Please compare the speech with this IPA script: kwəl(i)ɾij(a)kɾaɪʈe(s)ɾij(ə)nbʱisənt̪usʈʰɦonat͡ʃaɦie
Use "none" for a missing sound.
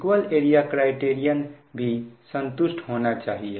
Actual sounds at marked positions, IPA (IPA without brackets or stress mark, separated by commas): e, a, none, ə